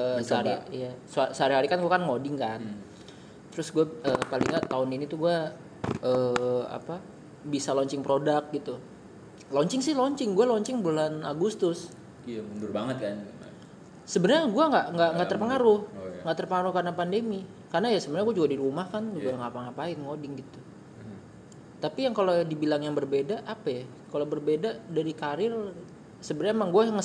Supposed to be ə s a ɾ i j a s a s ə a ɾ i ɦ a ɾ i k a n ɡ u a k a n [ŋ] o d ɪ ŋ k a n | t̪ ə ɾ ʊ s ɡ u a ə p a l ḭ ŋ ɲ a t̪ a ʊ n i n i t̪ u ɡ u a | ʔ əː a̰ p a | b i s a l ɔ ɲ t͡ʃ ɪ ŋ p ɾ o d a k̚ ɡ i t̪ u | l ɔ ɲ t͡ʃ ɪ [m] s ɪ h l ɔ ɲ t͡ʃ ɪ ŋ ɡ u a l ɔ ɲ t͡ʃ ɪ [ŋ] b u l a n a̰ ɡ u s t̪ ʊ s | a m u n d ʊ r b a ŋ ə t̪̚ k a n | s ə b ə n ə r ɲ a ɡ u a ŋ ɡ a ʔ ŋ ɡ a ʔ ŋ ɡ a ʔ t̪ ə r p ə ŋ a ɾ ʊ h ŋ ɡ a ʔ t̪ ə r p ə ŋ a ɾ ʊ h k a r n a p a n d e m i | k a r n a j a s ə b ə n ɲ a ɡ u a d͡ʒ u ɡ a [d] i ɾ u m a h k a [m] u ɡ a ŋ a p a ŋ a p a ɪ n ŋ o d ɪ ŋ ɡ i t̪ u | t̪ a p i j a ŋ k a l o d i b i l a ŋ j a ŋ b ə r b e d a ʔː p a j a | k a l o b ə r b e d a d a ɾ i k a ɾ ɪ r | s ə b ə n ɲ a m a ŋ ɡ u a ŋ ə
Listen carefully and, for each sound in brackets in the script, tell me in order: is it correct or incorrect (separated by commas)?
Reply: correct, incorrect, correct, correct, incorrect